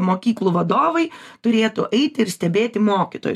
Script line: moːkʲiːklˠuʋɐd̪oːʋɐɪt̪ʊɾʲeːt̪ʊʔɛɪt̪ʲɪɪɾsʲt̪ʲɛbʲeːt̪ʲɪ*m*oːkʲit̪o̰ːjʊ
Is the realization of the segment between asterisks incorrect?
no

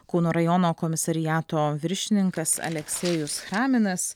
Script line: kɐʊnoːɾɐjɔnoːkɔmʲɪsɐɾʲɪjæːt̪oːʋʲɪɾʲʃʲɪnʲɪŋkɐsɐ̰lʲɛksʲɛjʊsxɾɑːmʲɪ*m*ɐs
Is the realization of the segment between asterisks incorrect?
yes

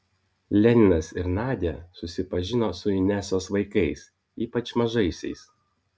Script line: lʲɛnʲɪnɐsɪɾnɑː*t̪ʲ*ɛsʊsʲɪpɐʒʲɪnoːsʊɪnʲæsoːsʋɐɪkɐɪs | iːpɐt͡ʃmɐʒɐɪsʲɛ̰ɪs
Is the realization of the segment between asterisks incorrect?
yes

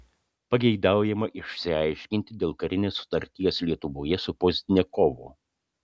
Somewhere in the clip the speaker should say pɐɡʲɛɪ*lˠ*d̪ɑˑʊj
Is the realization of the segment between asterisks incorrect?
yes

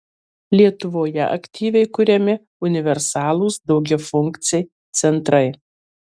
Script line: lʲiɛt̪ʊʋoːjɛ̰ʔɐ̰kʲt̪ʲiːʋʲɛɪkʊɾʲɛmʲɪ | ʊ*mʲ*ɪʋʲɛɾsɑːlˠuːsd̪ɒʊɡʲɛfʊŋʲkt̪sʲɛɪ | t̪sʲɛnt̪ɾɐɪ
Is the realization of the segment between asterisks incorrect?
yes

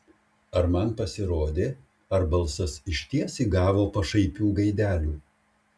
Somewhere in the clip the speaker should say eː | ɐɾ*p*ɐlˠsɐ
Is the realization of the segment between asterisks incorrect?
yes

